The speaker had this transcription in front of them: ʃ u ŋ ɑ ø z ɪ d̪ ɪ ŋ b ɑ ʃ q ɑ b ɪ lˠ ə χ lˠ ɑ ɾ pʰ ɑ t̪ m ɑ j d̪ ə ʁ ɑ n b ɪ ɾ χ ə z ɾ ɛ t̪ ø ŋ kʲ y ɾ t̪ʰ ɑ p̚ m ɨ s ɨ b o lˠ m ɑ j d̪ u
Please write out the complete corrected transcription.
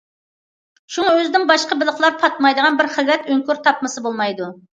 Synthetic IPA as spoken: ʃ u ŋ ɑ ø z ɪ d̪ ɪ ŋ b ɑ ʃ q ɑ b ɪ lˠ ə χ lˠ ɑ ɾ pʰ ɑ t̪ m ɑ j d̪ ə ʁ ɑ n b ɪ ɾ χ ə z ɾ ɛ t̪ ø ŋ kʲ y ɾ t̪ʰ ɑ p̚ m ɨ s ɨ b o lˠ m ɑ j d̪ u